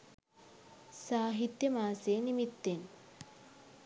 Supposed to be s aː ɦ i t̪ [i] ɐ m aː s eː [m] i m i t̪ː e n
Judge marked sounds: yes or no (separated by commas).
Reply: no, no